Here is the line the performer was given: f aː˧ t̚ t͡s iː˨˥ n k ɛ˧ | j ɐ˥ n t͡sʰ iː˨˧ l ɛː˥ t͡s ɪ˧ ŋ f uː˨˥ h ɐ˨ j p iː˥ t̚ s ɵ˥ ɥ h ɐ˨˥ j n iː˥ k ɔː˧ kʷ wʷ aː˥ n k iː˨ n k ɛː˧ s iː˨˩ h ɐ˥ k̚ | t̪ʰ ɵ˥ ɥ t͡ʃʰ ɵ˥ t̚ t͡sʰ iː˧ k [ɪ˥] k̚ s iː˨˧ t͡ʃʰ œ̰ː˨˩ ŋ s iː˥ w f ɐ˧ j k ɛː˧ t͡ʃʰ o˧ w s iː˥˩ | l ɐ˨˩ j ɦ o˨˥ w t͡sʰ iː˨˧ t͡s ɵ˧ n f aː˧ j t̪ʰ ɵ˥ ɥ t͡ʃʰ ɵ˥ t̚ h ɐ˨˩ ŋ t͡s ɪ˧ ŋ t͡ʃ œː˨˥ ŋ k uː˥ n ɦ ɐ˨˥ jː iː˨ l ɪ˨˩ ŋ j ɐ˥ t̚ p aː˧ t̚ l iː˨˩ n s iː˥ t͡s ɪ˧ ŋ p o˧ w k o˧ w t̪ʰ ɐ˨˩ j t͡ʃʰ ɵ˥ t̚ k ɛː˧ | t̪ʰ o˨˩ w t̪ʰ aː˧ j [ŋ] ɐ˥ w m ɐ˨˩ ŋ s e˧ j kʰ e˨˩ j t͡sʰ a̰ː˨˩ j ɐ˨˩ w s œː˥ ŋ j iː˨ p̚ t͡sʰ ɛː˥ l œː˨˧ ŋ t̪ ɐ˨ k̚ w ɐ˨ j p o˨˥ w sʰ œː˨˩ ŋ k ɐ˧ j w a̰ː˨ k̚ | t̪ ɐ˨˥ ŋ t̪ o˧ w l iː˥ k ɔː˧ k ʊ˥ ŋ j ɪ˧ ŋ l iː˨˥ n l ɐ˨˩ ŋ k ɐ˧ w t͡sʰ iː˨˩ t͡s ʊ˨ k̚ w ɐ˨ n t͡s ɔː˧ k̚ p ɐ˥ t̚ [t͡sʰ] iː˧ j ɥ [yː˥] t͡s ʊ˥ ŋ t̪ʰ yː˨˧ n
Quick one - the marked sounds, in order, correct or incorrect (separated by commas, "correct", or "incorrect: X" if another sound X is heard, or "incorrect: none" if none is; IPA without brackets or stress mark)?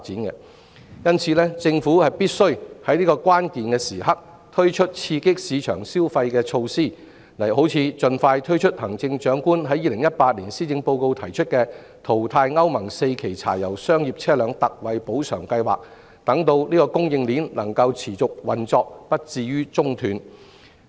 correct, correct, incorrect: t͡s, correct